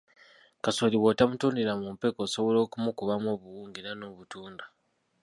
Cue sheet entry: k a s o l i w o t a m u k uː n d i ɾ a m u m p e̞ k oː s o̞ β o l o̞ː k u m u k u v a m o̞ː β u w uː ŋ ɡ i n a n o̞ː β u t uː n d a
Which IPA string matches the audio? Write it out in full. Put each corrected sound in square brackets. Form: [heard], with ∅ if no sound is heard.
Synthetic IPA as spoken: k a s o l i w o t a m u [t] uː n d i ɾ a m u m p e̞ k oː s o̞ β o l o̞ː k u m u k u [β] a m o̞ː β u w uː ŋ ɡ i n a n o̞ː β u t uː n d a

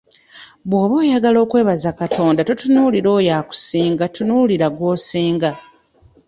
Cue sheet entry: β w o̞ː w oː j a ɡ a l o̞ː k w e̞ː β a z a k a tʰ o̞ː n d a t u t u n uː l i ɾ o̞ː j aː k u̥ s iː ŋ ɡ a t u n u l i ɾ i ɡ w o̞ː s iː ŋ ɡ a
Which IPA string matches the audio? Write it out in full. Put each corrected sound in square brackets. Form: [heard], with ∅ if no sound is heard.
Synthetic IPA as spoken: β w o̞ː [β] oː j a ɡ a l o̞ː k w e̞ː β a z a k a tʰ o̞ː n d a t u t u n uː l i ɾ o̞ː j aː k u̥ s iː ŋ ɡ a t u n u l i ɾ [a] ɡ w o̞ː s iː ŋ ɡ a

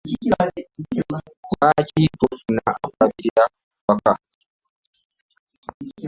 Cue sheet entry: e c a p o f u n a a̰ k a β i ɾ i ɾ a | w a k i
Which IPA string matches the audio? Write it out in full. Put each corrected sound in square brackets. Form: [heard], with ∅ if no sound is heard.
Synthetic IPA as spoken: [a] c [i] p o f u n a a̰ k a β i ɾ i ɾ a | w a k [a]

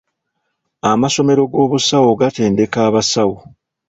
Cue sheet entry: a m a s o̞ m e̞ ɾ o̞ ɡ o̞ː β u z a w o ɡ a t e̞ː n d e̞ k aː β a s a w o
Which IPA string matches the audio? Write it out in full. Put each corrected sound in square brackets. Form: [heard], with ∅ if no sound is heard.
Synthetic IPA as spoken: a m a s o̞ m e̞ ɾ o̞ ɡ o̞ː β u [s] a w o ɡ a t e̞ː n d e̞ k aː β a s a w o

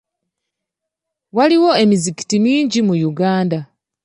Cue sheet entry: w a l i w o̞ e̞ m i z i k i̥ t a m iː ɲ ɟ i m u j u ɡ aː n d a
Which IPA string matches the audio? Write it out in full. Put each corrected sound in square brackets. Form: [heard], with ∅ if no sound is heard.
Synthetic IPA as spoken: w a l i w o̞ e̞ m i z i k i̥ t [i] m iː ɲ ɟ i m u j u ɡ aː n d a

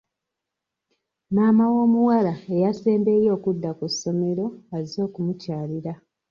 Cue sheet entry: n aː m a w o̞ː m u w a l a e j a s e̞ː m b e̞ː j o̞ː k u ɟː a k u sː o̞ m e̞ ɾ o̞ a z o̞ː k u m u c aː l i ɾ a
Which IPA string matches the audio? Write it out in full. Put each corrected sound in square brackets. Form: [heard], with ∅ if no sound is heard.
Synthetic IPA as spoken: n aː m a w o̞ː m u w a l a e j a s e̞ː m b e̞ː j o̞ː k u [dː] a k u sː o̞ m e̞ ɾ o̞ a z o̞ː k u m u c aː l i ɾ a

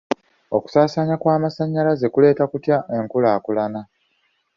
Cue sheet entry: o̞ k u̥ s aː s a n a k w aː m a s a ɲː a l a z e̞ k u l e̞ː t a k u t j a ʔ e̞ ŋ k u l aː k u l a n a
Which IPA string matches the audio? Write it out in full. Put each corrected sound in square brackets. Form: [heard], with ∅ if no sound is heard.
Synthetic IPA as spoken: o̞ k u̥ s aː s a [ɲ] a k w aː m a s a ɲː a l a z e̞ k u l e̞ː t a k u t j a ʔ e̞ ŋ k u l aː k u l a n a

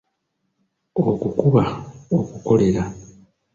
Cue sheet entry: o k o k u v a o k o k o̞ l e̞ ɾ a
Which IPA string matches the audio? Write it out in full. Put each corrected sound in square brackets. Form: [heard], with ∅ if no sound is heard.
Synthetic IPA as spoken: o k [u] k u [β] a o k [u] k o̞ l e̞ ɾ a

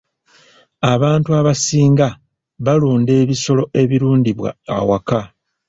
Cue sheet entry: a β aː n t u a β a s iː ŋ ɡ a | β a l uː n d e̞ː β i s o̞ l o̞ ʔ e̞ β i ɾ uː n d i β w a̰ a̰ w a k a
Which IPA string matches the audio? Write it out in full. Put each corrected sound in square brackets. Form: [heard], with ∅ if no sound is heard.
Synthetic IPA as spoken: a β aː n t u a β a s iː ŋ ɡ a | β a l uː n d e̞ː β i s o̞ l o̞ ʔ e̞ β i ɾ uː n d i β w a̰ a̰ w a k a

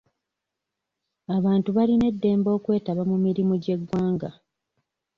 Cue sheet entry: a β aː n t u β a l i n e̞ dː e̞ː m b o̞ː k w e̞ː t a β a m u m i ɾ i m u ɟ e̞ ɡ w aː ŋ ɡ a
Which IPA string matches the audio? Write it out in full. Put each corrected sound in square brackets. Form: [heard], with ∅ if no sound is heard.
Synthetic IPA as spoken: a β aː n t u β a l i n e̞ dː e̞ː m b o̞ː k w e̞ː t a β a m u m i ɾ i m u ɟ e̞ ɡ w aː ŋ ɡ a

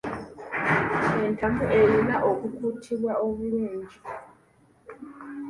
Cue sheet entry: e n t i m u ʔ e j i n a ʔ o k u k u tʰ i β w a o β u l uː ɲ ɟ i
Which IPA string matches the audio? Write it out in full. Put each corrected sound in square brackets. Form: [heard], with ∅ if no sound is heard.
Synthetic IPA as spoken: e n t [a] m u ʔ e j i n a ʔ o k u k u tʰ i β w a o β u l uː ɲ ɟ i

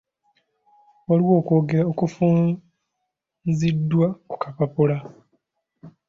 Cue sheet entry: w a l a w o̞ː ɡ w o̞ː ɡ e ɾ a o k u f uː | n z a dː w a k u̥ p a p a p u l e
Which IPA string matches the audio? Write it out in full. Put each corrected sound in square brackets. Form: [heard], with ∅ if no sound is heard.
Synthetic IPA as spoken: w a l [i] w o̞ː [k] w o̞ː ɡ e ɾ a o k u f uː | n z [i] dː w a k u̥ [k] a p a p u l [a]

